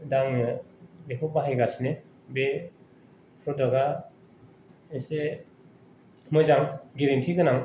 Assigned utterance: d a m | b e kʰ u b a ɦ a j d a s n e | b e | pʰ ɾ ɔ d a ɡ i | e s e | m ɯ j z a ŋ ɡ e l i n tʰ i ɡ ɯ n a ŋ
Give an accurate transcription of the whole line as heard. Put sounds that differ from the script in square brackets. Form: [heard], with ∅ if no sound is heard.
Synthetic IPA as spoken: d a [ŋ] | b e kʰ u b a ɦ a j [ɡ] a s n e | b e | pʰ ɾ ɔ d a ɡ [a] | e s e | m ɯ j z a ŋ ɡ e [ɾ] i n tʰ i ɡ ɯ n a ŋ

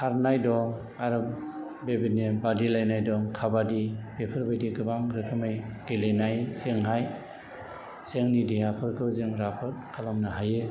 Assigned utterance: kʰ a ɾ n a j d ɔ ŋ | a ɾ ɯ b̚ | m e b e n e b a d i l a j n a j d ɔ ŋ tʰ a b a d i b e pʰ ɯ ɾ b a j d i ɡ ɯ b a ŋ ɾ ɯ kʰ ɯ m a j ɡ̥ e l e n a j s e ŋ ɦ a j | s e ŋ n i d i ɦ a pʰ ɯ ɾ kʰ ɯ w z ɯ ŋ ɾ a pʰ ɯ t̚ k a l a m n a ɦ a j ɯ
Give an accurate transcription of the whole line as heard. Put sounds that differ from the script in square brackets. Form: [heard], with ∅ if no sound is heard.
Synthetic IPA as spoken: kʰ a ɾ n a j d ɔ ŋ | a ɾ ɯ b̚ | [b] e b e n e b a d i l a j n a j d ɔ ŋ [kʰ] a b a d i b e pʰ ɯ ɾ b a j d i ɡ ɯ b a ŋ ɾ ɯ kʰ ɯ m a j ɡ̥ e l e n a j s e ŋ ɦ a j | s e ŋ n i d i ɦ a pʰ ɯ ɾ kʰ ɯ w z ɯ ŋ ɾ a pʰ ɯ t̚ [kʰ] a l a m n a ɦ a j ɯ

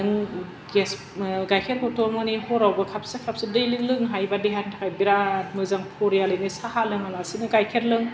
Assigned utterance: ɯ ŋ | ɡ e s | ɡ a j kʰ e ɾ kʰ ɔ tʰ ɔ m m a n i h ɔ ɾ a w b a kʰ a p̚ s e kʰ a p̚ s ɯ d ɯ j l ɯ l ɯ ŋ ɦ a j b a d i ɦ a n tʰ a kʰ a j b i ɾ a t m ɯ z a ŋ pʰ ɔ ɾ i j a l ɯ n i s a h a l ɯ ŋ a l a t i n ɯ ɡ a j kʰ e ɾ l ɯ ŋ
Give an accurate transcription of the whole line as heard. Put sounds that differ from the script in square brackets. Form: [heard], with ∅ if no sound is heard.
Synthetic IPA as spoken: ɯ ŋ | ɡ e s | ɡ a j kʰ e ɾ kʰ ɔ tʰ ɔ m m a n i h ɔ ɾ a w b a kʰ a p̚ s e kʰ a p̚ s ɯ d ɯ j l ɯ l ɯ ŋ ɦ a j b a d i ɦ a n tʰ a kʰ a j b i ɾ a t m ɯ z a ŋ pʰ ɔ ɾ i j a l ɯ n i s a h a l ɯ ŋ a l a [s] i n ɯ ɡ a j kʰ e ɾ l ɯ ŋ

